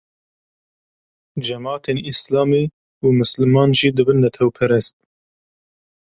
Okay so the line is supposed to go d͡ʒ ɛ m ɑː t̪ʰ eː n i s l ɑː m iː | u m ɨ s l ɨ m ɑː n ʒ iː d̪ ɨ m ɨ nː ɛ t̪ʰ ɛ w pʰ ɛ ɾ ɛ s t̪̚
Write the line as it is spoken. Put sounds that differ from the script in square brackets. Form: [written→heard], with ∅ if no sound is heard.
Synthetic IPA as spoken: d͡ʒ ɛ m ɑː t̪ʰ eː n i s l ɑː m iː | u m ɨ s l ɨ m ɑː n ʒ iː d̪ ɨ [m→b] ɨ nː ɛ t̪ʰ ɛ w pʰ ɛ ɾ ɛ s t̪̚